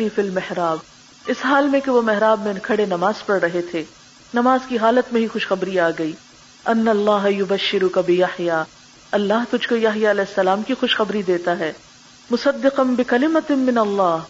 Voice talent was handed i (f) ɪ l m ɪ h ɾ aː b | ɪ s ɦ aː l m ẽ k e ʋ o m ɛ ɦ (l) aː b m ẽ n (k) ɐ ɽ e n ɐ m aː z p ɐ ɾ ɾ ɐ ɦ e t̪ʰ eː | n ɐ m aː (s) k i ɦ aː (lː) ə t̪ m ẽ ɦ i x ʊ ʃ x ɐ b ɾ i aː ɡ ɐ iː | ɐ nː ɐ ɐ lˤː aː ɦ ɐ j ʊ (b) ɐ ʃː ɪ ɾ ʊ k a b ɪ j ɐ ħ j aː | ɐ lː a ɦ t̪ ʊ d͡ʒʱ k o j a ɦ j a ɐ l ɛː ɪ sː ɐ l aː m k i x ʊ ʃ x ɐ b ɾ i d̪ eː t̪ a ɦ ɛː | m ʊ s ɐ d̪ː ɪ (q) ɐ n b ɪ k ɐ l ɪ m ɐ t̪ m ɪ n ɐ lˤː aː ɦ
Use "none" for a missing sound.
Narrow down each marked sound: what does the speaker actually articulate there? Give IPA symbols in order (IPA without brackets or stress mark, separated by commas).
f, ɾ, kʰ, z, l, b, q